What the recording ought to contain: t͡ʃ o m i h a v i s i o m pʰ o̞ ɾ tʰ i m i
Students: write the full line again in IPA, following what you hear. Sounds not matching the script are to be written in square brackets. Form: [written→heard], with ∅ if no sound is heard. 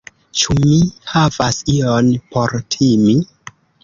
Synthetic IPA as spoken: t͡ʃ [o→u] m i h a v [i→a] s i o [m→n] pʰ o̞ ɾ tʰ i m i